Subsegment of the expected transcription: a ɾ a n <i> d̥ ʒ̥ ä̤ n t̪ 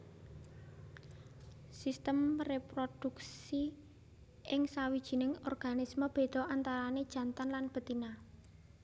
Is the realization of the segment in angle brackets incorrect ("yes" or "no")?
yes